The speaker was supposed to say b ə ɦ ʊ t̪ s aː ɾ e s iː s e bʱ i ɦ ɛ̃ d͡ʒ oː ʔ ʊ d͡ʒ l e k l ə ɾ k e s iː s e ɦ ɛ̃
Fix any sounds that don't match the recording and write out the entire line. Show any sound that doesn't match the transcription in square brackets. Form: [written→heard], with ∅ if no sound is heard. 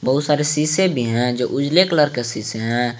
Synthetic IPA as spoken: b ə ɦ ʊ t̪ s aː ɾ e s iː s e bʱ i ɦ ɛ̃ d͡ʒ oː ʔ ʊ d͡ʒ l e k l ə ɾ k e s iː s e ɦ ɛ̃

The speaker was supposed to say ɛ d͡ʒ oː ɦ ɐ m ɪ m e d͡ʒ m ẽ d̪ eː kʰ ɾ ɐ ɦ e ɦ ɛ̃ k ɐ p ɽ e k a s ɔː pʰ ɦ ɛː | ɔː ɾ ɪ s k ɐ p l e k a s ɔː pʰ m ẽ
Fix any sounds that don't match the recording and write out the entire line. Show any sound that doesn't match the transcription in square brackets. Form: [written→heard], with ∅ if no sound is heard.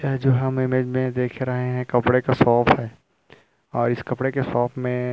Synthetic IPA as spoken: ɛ d͡ʒ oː ɦ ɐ m ɪ m e d͡ʒ m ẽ d̪ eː kʰ ɾ ɐ ɦ e ɦ ɛ̃ k ɐ p ɽ e k a s ɔː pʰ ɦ ɛː | ɔː ɾ ɪ s k ɐ p [l→ɽ] e k [a→e] s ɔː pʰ m ẽ

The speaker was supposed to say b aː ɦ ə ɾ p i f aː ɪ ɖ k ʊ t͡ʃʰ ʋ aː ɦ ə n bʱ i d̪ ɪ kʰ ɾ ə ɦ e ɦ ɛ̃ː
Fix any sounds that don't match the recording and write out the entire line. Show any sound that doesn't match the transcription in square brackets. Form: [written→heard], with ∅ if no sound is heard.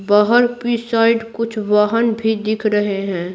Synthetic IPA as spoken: b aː ɦ ə ɾ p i [f→s] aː ɪ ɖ k ʊ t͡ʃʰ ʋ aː ɦ ə n bʱ i d̪ ɪ kʰ ɾ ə ɦ e ɦ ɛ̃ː

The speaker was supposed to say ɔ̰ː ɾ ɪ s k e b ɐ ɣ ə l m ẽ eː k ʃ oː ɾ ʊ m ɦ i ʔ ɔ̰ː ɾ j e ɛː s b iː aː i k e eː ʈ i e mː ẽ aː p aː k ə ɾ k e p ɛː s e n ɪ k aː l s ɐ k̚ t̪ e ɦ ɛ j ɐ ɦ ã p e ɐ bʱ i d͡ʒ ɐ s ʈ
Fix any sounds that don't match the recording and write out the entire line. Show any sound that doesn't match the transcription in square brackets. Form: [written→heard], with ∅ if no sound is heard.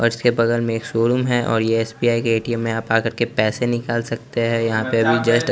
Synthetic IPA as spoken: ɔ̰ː ɾ ɪ s k e b ɐ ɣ ə l m ẽ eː k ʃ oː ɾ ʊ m ɦ [i→ɛ] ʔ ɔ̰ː ɾ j e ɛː s b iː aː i k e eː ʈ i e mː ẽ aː p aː k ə ɾ k e p ɛː s e n ɪ k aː l s ɐ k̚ t̪ e ɦ ɛ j ɐ ɦ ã p e ɐ bʱ i d͡ʒ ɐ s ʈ

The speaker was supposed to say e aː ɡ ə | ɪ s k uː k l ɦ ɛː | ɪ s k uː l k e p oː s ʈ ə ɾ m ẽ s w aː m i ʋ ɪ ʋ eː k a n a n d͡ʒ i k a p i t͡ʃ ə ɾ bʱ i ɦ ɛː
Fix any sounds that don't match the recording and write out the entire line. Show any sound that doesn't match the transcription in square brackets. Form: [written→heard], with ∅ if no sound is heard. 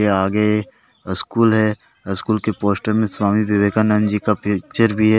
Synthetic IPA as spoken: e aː ɡ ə | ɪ s k uː [k→∅] l ɦ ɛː | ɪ s k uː l k e p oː s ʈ ə ɾ m ẽ s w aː m i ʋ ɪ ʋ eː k a n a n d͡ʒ i k a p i t͡ʃ ə ɾ bʱ i ɦ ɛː

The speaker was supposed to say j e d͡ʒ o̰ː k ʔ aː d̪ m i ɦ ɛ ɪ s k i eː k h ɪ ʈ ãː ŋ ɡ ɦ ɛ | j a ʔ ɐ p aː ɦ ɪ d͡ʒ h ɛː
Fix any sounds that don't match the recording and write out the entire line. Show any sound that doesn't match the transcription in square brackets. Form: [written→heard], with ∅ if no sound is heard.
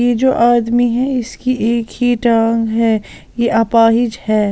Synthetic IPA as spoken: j e d͡ʒ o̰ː [k→∅] ʔ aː d̪ m i ɦ ɛ ɪ s k i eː k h [ɪ→i] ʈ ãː ŋ ɡ ɦ ɛ | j [a→e] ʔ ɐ p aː ɦ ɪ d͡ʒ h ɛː

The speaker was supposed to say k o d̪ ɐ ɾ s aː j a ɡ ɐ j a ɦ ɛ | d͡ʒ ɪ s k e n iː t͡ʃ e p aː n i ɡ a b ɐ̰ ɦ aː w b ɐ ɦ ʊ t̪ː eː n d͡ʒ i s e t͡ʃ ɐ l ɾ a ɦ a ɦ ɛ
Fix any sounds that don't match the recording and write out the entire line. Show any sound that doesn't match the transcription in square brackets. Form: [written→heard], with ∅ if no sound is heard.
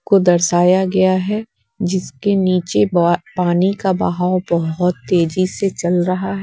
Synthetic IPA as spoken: k o d̪ ɐ ɾ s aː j a ɡ ɐ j a ɦ ɛ | d͡ʒ ɪ s k e n iː t͡ʃ e p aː n i [ɡ→k] a b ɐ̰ ɦ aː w b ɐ ɦ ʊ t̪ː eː [n→∅] d͡ʒ i s e t͡ʃ ɐ l ɾ [a→ɐ] ɦ a ɦ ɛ

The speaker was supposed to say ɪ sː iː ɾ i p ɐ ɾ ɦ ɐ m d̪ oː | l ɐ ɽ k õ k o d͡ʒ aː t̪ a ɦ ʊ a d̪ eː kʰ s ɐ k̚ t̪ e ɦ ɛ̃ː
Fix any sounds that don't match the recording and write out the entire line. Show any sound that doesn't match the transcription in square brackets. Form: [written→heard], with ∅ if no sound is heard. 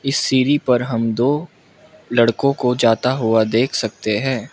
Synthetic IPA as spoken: ɪ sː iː ɾ i p ɐ ɾ ɦ ɐ m d̪ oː | l ɐ ɽ k õ k o d͡ʒ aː t̪ a ɦ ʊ a d̪ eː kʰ s ɐ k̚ t̪ e ɦ ɛ̃ː

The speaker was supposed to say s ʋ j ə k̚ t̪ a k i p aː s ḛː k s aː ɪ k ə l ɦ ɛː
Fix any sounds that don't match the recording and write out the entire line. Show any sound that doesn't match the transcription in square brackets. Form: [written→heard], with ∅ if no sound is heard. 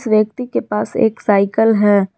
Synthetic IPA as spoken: s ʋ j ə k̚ t̪ [a→i] k [i→e] p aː s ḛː k s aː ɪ k ə l ɦ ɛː

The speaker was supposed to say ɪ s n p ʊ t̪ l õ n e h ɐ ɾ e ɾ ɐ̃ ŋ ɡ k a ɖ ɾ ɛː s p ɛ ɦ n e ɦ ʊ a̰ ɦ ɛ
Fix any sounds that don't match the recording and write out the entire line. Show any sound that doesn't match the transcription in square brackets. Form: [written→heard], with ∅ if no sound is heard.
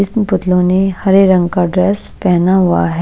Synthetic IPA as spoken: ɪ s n p ʊ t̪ l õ n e h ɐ ɾ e ɾ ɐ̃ ŋ ɡ k a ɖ ɾ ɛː s p ɛ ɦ n [e→a] ɦ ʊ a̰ ɦ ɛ

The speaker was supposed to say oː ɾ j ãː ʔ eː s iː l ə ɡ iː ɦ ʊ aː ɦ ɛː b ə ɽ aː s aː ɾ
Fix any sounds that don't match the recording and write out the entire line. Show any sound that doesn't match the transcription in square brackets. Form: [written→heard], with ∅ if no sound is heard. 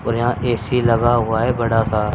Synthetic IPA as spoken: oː ɾ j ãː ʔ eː s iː l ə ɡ [iː→aː] ɦ ʊ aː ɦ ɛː b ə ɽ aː s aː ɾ

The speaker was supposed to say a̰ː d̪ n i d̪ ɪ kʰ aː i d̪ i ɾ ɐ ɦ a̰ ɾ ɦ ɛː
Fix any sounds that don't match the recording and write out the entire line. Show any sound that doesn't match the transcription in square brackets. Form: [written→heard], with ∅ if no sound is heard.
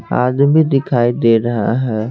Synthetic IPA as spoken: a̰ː d̪ [n→m] i d̪ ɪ kʰ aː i d̪ [i→e] ɾ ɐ ɦ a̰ [ɾ→∅] ɦ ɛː

